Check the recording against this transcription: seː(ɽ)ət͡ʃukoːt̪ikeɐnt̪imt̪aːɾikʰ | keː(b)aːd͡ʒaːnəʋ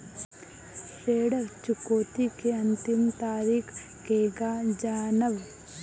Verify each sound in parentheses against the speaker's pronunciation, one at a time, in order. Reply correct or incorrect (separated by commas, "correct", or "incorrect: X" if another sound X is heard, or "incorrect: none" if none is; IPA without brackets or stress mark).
correct, incorrect: ɡ